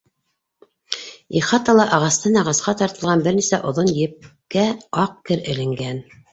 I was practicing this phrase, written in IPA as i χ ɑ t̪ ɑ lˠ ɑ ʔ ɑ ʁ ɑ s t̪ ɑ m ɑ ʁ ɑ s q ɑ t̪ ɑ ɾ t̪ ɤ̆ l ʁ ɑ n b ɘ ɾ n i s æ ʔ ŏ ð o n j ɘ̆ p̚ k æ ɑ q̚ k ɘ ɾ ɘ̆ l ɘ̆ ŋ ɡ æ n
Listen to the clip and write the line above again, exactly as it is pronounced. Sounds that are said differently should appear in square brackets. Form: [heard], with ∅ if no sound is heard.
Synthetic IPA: i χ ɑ t̪ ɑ lˠ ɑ ʔ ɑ ʁ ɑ s t̪ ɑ [n] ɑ ʁ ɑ s q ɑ t̪ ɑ ɾ t̪ ɤ̆ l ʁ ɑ n b ɘ ɾ n i s æ ʔ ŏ ð o n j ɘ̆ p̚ k æ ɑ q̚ k ɘ ɾ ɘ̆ l ɘ̆ ŋ ɡ æ n